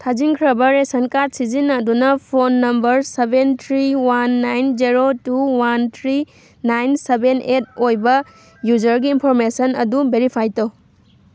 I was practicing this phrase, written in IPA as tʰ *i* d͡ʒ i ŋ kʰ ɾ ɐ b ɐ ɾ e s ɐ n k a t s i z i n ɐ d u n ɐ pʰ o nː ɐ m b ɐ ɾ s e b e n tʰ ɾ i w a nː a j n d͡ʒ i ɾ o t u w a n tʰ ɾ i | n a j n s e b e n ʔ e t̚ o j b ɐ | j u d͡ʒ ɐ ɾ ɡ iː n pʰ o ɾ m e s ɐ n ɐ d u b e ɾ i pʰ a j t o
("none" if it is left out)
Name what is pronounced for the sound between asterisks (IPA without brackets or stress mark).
a